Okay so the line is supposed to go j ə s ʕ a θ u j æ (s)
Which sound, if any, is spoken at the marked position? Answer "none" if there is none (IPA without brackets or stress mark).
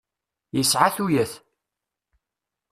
θ